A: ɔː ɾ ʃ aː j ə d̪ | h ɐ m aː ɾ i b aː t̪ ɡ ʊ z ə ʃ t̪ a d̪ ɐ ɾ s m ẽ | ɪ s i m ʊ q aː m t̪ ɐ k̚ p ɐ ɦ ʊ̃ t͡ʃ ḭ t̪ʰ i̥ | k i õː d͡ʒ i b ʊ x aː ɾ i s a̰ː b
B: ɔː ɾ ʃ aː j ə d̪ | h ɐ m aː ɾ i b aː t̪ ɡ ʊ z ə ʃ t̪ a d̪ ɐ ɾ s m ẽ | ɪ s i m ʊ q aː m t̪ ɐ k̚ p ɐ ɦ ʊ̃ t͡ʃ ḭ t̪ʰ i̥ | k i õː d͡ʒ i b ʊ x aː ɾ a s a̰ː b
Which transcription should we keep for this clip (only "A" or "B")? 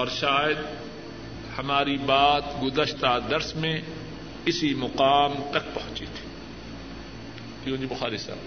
A